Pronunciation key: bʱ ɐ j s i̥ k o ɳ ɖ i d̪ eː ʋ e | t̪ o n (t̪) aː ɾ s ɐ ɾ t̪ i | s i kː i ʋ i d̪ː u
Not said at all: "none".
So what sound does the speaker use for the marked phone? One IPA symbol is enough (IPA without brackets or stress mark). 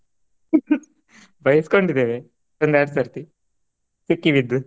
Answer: d̪